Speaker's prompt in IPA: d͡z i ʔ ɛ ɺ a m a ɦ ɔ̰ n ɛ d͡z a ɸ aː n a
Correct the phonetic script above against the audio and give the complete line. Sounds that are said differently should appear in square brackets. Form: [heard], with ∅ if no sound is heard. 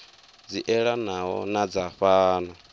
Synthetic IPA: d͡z i ʔ ɛ ɺ a [n] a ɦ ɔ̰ n [a] d͡z a ɸ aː n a